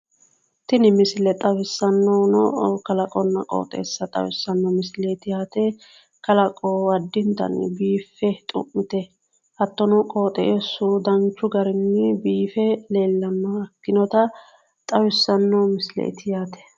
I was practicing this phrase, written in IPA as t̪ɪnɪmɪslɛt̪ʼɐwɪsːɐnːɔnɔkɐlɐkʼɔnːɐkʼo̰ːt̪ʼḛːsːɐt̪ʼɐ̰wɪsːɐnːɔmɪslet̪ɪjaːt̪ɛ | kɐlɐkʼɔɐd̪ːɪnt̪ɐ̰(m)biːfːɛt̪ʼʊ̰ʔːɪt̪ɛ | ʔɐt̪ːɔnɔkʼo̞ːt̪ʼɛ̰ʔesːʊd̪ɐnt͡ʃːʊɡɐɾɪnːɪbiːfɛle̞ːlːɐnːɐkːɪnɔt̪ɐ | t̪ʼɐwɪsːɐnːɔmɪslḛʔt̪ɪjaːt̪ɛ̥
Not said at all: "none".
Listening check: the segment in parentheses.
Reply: n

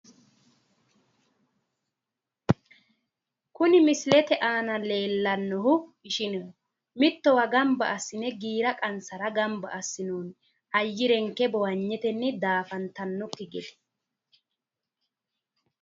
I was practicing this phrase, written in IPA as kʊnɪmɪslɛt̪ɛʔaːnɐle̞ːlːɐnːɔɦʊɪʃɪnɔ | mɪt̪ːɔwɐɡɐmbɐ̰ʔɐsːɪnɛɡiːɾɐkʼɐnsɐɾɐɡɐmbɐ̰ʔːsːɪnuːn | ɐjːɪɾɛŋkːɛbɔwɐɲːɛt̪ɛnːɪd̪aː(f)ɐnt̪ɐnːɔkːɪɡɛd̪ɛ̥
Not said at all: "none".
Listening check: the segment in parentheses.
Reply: f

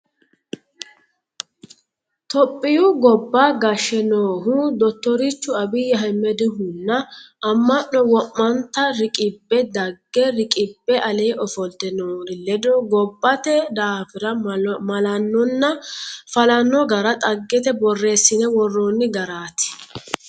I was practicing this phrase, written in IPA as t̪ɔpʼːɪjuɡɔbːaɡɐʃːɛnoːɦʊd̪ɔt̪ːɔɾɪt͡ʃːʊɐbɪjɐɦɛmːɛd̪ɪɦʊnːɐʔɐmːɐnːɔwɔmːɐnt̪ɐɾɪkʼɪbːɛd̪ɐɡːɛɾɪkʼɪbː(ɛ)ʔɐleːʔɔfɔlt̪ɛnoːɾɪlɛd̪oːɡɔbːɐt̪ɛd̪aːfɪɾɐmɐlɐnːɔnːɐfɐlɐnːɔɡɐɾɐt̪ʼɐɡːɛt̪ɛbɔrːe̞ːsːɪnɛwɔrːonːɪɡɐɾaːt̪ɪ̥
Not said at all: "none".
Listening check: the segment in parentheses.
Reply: ɛ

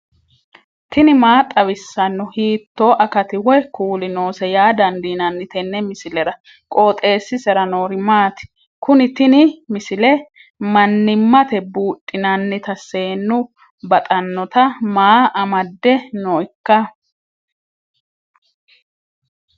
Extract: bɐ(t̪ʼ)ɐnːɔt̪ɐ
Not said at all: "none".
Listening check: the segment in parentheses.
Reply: t̪ʼ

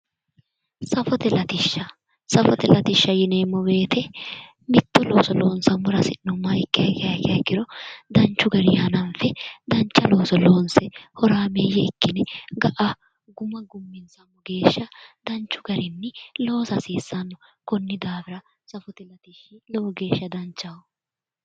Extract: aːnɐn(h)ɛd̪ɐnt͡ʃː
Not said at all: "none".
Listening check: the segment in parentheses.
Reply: f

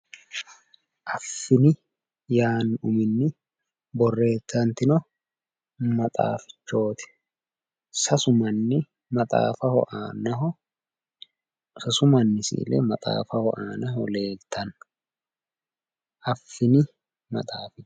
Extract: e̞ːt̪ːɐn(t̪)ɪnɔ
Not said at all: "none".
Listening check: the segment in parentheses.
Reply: t̪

